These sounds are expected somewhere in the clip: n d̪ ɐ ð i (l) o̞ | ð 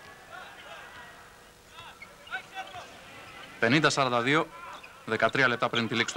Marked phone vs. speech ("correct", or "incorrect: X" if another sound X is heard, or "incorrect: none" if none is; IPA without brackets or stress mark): incorrect: none